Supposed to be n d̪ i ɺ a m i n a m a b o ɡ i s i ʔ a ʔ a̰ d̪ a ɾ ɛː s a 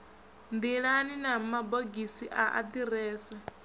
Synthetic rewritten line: n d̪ i ɺ a n i n a m a b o ɡ i s i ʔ a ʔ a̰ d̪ i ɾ ɛː s a

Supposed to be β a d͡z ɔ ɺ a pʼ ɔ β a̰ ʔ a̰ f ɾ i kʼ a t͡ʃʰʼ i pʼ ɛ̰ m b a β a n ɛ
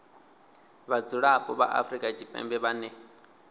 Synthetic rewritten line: β a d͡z u ɺ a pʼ ɔ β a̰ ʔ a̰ f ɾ i kʼ a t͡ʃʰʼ i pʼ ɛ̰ m b ɛ β a n ɛ

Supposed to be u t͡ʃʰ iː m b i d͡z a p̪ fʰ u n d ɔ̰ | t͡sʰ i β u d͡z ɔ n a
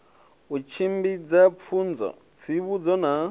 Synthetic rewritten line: u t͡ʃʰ i m b i d͡z a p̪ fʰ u n d͡z ɔ̰ | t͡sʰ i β u d͡z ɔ n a

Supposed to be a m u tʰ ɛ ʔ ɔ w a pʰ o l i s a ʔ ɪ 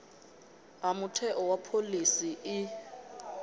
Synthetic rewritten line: a m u tʰ ɛ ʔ ɔ w a pʰ o l i s i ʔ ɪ

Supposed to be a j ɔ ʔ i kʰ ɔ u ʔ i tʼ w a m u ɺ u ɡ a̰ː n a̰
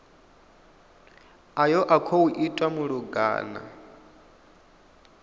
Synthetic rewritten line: a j ɔ ʔ a kʰ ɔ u ʔ i tʼ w a m u ɺ u ɡ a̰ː n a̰

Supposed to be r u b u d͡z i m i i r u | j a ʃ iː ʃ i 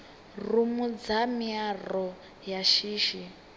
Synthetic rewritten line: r u m u d͡z a m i a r ɔ | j a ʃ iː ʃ i

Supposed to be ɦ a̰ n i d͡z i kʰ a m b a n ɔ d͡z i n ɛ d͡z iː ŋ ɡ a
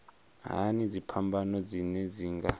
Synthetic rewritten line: ɦ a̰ n i d͡z i pʰ a m b a n ɔ d͡z i n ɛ d͡z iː ŋ ɡ a

